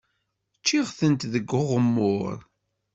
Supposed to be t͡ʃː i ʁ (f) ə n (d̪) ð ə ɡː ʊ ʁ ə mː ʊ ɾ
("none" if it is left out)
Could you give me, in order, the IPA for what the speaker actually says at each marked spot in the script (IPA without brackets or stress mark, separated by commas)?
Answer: θ, t̪